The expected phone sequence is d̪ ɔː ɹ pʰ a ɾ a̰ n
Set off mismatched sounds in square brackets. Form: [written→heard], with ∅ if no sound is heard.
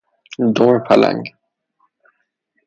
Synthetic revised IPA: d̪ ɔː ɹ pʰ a [ɾ→l] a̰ [n→ŋ]